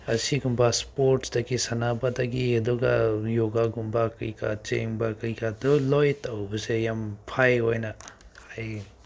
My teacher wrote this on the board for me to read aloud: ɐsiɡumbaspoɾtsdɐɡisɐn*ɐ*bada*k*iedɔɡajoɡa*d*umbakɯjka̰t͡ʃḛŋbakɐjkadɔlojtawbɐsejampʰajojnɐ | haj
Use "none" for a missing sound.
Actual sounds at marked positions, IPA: a, ɡ, ɡ

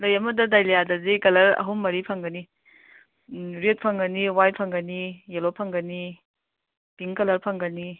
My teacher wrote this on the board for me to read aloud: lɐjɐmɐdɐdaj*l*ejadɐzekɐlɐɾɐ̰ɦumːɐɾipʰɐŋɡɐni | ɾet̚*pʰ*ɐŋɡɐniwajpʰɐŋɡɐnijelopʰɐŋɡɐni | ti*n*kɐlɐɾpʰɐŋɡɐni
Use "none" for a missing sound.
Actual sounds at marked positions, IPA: l, pʰ, ŋ

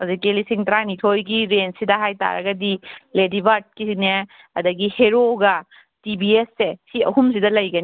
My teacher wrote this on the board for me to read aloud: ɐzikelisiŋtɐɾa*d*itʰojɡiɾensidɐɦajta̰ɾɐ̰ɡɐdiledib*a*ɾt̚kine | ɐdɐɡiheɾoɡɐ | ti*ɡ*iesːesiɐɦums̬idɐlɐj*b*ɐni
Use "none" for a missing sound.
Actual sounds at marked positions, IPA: n, a, b, ɡ

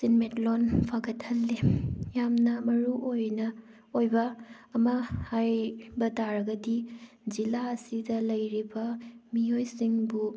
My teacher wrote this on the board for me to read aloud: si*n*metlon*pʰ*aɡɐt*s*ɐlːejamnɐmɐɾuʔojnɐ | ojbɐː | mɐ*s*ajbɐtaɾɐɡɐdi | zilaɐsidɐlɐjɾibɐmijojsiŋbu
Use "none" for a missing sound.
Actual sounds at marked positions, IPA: n, pʰ, h, h

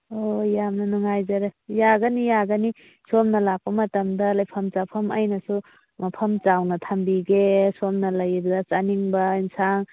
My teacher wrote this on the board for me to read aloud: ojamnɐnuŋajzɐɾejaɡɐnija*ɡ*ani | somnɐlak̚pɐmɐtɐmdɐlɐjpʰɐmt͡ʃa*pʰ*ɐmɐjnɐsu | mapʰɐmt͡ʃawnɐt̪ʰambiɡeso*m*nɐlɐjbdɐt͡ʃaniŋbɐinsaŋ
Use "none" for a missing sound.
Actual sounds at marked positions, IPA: ɡ, pʰ, m

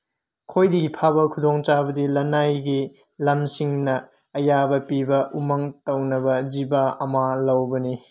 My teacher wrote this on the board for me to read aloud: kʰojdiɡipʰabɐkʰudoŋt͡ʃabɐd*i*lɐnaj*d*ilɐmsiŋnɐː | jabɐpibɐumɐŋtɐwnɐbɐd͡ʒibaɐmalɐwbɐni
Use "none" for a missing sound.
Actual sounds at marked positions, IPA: i, ɡ

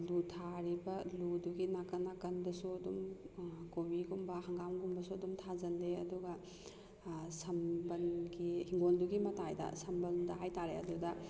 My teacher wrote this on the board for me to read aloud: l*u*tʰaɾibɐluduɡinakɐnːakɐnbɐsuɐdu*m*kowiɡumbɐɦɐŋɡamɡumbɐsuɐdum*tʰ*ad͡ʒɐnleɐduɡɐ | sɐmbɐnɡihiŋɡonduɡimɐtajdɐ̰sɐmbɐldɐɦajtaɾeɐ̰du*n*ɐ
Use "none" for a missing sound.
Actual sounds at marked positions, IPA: u, m, tʰ, d

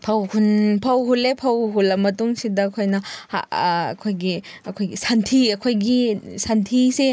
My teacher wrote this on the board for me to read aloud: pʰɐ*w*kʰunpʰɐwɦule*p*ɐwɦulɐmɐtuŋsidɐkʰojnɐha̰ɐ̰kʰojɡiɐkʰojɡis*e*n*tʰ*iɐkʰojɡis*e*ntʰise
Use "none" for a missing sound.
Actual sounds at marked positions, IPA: w, pʰ, a, tʰ, a

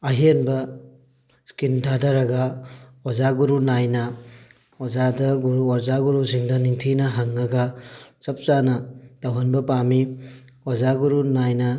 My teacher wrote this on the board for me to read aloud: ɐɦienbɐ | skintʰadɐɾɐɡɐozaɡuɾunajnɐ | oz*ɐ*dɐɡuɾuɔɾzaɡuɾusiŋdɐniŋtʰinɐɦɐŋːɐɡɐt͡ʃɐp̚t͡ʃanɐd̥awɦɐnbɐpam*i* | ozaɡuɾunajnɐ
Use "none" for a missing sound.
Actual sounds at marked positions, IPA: a, i

